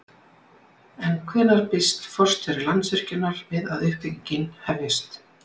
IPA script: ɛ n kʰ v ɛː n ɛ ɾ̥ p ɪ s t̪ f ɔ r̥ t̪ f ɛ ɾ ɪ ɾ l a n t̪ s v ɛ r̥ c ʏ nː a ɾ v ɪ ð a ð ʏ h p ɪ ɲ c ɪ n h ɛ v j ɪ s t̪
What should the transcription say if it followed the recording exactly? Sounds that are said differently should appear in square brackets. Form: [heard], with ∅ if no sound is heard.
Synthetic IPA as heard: ɛ n kʰ v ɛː n [a] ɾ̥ p ɪ s t̪ f ɔ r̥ t̪ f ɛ ɾ ɪ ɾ l a n t̪ s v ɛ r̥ c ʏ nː a ɾ v ɪ ð a ð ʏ h p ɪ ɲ c ɪ n h ɛ v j ɪ s t̪